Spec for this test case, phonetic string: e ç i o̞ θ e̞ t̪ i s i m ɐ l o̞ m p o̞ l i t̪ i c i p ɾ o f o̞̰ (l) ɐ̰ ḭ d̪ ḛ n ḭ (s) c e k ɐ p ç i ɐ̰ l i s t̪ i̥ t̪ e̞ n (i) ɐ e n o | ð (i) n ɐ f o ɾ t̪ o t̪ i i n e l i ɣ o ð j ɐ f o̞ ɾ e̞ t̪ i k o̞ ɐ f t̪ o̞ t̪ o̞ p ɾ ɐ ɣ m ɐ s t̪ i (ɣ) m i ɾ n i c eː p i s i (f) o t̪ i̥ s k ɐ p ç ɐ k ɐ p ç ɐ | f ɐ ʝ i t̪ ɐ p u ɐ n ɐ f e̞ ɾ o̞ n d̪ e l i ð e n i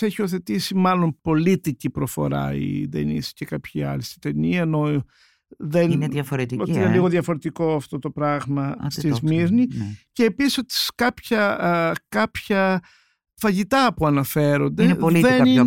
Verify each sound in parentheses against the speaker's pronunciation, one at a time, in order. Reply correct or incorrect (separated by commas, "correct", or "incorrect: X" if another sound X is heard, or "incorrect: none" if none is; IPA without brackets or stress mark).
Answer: incorrect: ɾ, correct, correct, incorrect: e, incorrect: z, incorrect: s